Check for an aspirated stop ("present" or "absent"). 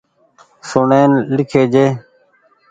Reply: present